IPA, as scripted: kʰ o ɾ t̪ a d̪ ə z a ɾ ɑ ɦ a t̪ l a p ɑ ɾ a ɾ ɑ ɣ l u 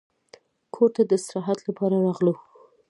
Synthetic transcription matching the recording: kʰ o ɾ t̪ a d̪ ə s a ɾ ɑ ɦ a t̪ l a p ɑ ɾ a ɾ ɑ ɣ l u